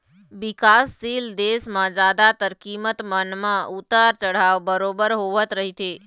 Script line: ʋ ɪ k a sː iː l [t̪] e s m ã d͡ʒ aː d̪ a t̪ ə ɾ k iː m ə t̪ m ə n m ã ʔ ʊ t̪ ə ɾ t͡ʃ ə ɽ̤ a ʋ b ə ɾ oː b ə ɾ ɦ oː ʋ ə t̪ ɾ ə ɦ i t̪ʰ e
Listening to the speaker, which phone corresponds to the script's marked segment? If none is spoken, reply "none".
d̪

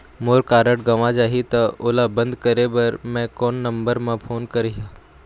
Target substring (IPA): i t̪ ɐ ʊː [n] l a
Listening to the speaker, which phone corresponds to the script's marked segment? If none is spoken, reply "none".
none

